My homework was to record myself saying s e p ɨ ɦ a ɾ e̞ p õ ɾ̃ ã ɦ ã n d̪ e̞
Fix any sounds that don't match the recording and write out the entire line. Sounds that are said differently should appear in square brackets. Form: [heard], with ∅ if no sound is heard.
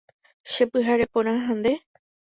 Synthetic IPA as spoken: [ʃ] e p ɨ ɦ a ɾ e̞ p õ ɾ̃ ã ɦ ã n d̪ e̞

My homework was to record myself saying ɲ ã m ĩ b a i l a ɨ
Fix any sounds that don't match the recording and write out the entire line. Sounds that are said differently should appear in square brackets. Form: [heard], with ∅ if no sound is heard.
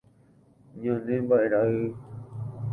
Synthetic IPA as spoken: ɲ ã [n] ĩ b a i [ɾ] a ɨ

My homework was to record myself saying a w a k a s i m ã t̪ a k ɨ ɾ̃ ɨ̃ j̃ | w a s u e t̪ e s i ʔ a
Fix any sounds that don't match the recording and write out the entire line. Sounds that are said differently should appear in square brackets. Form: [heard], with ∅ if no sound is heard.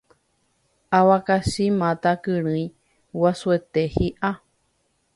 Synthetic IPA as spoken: a w a k a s i m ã t̪ a k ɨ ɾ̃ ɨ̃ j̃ | w a s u e t̪ e [h] i ʔ a

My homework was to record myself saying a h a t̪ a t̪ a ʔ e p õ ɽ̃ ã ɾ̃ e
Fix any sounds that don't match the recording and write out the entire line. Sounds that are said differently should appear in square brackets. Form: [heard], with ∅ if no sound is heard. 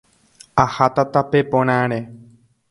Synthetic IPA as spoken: a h a t̪ a t̪ a [p] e p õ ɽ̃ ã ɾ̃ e

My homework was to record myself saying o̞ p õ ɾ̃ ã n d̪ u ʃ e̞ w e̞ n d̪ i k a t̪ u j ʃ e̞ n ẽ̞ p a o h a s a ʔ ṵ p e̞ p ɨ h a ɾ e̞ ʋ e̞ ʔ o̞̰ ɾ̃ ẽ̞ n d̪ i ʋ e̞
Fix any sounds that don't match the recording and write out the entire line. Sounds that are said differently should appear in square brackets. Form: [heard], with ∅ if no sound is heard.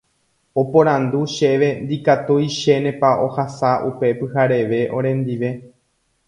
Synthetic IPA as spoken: o̞ p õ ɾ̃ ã n d̪ u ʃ e̞ [ʋ] e̞ n d̪ i k a t̪ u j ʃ e̞ n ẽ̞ p a o h a s a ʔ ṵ p e̞ p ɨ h a ɾ e̞ ʋ e̞ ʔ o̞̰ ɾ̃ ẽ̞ n d̪ i ʋ e̞

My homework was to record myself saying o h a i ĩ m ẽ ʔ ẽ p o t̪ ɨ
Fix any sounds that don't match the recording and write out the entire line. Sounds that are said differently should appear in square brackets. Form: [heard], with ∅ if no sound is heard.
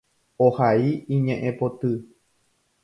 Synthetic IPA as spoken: o h a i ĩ [ɲ] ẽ ʔ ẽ p o t̪ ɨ

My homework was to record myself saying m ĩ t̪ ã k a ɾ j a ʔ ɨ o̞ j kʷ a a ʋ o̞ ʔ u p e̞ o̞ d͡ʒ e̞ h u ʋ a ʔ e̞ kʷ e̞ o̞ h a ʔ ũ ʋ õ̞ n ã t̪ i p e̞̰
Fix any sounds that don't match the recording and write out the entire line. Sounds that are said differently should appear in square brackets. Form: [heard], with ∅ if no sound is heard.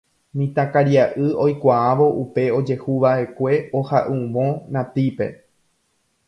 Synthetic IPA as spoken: m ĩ t̪ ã k a ɾ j a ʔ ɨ o̞ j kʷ a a ʋ o̞ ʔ u p e̞ o̞ d͡ʒ e̞ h u ʋ a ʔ e̞ kʷ e̞ o̞ h a ʔ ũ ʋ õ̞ n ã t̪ i p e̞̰

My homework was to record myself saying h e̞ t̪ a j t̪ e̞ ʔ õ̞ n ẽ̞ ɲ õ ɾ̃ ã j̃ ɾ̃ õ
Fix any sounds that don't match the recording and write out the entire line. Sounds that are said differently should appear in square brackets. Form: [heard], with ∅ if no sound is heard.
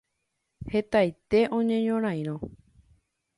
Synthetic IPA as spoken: h e̞ t̪ a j t̪ e̞ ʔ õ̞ [ɲ] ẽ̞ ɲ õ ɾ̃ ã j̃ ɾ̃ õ

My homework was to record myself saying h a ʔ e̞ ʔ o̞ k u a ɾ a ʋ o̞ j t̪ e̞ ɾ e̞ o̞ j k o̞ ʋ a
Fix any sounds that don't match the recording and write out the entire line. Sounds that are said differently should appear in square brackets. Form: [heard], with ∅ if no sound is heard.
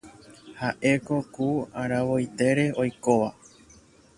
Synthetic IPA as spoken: h a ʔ e̞ [k] o̞ k u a ɾ a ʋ o̞ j t̪ e̞ ɾ e̞ o̞ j k o̞ ʋ a

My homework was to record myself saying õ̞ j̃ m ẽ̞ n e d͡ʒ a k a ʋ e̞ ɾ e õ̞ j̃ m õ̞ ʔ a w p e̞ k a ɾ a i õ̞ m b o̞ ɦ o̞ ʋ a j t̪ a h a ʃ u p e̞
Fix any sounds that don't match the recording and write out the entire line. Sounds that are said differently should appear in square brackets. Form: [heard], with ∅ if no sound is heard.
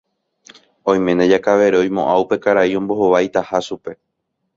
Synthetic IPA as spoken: õ̞ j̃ m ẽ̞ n e d͡ʒ a k a ʋ e̞ ɾ e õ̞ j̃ m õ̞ ʔ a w p e̞ k a ɾ a i õ̞ m b o̞ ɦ o̞ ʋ a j t̪ a h a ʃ u p e̞

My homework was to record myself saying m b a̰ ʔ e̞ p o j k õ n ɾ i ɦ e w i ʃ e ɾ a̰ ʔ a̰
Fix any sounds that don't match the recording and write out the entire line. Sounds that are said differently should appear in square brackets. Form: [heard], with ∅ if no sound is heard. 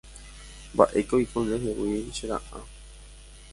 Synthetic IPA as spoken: m b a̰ ʔ e̞ [k] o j k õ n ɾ [e] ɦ e w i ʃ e ɾ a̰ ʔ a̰

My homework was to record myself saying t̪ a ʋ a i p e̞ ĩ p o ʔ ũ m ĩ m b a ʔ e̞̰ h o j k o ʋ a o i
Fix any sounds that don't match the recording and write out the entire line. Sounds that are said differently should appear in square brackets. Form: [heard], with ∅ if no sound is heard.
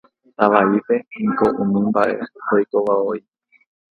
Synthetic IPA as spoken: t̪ a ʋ a i p e̞ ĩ [k] o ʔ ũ m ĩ m b a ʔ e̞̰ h o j k o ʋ a o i

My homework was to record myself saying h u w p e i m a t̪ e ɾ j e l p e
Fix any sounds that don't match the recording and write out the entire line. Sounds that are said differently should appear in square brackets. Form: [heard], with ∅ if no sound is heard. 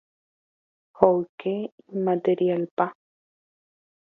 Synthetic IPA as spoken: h [o] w [k] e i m a t̪ e ɾ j [a] l p [a]

